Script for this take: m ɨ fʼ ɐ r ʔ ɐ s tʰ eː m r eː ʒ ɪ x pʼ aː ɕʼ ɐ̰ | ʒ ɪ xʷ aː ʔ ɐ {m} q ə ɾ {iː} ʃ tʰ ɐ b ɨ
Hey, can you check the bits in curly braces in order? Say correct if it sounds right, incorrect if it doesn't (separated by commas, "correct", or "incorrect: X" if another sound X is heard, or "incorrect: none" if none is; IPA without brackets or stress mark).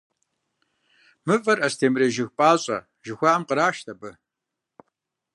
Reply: correct, incorrect: aː